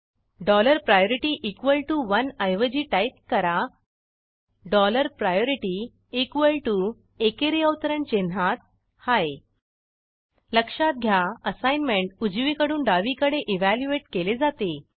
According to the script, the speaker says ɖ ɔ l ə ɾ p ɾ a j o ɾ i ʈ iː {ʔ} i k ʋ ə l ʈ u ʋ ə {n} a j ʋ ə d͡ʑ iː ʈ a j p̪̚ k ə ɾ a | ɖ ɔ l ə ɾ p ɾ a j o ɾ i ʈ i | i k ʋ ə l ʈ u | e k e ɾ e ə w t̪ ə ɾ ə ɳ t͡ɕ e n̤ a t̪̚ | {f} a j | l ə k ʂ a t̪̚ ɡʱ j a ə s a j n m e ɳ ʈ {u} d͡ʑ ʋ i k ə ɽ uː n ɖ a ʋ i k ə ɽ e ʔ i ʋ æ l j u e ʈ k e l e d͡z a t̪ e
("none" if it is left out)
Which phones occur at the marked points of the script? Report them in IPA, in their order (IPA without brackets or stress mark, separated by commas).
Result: ʔ, n, h, u